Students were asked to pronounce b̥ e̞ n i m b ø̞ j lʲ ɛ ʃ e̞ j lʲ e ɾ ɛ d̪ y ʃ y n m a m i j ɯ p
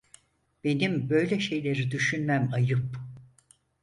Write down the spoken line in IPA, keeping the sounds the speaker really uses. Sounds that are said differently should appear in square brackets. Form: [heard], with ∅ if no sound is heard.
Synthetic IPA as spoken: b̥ e̞ n i m b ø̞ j lʲ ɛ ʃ e̞ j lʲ e ɾ [i] d̪ y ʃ y n m [æ] m [a] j ɯ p